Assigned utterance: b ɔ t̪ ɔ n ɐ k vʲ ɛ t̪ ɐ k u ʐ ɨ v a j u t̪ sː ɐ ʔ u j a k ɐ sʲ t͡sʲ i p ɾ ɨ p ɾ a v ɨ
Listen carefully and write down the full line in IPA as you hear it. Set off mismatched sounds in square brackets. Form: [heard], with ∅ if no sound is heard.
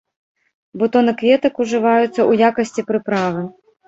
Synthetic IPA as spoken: b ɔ t̪ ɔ n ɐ k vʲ ɛ t̪ ɐ k u ʐ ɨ v a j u t̪ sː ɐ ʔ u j a k ɐ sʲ t͡sʲ i p ɾ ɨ p ɾ a v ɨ

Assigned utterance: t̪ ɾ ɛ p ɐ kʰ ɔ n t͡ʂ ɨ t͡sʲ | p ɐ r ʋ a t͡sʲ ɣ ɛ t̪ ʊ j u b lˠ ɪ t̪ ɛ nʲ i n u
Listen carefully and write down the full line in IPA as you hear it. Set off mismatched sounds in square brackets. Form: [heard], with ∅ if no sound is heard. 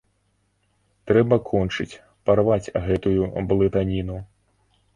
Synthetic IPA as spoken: t̪ ɾ ɛ [b] ɐ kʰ ɔ n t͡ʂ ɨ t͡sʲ | p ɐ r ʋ a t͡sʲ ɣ ɛ t̪ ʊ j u b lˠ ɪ t̪ [a] nʲ i n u

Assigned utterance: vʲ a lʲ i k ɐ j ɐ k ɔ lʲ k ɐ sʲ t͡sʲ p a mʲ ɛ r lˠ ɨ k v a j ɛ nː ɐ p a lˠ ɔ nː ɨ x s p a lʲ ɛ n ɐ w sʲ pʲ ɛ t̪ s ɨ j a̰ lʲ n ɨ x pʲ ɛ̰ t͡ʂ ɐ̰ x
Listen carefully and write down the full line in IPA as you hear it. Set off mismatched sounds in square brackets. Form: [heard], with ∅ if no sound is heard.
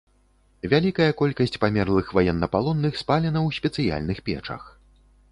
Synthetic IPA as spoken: vʲ a lʲ i k ɐ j ɐ k ɔ lʲ k ɐ sʲ t͡sʲ p a mʲ ɛ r lˠ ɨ [x] v a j ɛ nː ɐ p a lˠ ɔ nː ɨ x s p a lʲ ɛ n ɐ w sʲ pʲ ɛ t̪ s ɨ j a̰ lʲ n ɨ x pʲ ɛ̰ t͡ʂ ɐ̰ x

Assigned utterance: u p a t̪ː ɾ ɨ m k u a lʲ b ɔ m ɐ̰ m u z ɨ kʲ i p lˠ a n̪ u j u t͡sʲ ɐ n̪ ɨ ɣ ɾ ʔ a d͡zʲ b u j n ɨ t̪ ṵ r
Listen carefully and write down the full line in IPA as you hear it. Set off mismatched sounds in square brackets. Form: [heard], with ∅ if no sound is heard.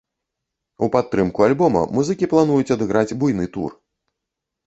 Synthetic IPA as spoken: u p a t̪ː ɾ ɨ m k u a lʲ b ɔ m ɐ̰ m u z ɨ kʲ i p lˠ a n̪ u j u t͡sʲ ɐ [d̪] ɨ ɣ ɾ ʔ a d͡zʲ b u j n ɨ t̪ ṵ r

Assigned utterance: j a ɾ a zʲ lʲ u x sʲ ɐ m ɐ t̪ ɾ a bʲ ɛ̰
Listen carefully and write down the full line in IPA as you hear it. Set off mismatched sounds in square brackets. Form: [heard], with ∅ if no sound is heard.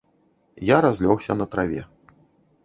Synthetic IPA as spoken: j a ɾ a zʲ lʲ [ɔ] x sʲ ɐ [n] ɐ t̪ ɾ a [vʲ] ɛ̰

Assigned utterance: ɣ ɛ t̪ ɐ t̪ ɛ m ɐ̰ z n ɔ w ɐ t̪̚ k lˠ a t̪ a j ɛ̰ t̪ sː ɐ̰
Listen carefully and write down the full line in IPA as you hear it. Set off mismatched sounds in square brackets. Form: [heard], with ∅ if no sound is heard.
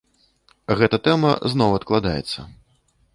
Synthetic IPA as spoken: ɣ ɛ t̪ ɐ t̪ ɛ m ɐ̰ z n ɔ w ɐ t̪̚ k lˠ a [d̪] a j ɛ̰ t̪ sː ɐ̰

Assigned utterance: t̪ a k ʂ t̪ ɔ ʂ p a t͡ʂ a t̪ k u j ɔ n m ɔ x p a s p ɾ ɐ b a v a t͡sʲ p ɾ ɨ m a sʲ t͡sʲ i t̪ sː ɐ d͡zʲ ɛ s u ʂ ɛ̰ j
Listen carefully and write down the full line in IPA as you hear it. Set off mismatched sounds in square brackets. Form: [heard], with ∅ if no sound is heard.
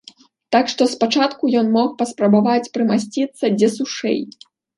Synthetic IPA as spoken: t̪ a k ʂ t̪ ɔ [s] p a t͡ʂ a t̪ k u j ɔ n m ɔ x p [ɐ] s p ɾ ɐ b a v a t͡sʲ p ɾ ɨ m a sʲ t͡sʲ i t̪ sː ɐ d͡zʲ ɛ s u ʂ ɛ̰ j

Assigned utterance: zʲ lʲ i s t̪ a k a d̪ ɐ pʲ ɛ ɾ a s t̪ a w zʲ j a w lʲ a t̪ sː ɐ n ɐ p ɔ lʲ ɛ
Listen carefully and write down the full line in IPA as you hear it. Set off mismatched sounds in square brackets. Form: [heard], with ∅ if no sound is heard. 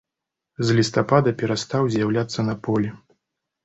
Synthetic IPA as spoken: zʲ lʲ i s t̪ a [p] a d̪ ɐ pʲ ɛ ɾ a s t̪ a w zʲ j a w lʲ a t̪ sː ɐ n ɐ p ɔ lʲ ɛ

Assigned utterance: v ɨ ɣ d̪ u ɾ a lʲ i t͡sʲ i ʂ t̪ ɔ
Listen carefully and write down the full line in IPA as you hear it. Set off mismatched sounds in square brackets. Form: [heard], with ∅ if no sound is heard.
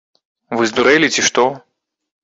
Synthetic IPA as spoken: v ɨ [z] d̪ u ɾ [ɛ] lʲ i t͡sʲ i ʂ t̪ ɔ

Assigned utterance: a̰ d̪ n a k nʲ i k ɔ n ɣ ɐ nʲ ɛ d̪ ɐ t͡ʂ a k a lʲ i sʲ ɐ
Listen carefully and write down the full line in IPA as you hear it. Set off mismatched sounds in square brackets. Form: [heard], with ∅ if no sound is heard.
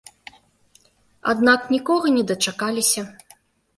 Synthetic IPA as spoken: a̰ d̪ n a k nʲ i k ɔ [∅] ɣ ɐ nʲ ɛ d̪ ɐ t͡ʂ a k a lʲ i sʲ ɐ

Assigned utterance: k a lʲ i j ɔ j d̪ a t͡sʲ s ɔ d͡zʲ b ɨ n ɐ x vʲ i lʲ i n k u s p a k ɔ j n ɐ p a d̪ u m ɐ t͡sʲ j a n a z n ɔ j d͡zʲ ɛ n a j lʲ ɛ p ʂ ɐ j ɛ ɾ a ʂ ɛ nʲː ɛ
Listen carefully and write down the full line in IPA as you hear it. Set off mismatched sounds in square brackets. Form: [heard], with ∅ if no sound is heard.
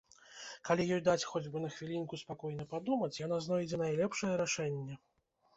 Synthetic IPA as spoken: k a lʲ i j ɔ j d̪ a t͡sʲ [x] ɔ d͡zʲ b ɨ n ɐ x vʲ i lʲ i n k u s p a k ɔ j n ɐ p a d̪ u m ɐ t͡sʲ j a n a z n ɔ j d͡zʲ ɛ n a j lʲ ɛ p ʂ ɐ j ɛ ɾ a ʂ ɛ nʲː ɛ

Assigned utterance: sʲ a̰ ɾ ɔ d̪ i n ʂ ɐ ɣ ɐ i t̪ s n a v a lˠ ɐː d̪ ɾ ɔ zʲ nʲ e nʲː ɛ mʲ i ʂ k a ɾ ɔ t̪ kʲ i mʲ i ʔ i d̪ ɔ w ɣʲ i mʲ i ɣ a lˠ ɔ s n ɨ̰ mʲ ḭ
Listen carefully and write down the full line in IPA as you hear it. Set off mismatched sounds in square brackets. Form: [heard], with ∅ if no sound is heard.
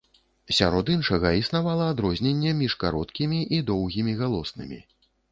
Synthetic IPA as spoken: sʲ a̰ ɾ ɔ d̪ i n ʂ ɐ ɣ ɐ i [∅] s n a v a lˠ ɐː d̪ ɾ ɔ zʲ nʲ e nʲː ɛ mʲ i ʂ k a ɾ ɔ t̪ kʲ i mʲ i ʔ i d̪ ɔ w ɣʲ i mʲ i ɣ a lˠ ɔ s n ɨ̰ mʲ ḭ

